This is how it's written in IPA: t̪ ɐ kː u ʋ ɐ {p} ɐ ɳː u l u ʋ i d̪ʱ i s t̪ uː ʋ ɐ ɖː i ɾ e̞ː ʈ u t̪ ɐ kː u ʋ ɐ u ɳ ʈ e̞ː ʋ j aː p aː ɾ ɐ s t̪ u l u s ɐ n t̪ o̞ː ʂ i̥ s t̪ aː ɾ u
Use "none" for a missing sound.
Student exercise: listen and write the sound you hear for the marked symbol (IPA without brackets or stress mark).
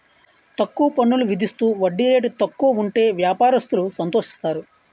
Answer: p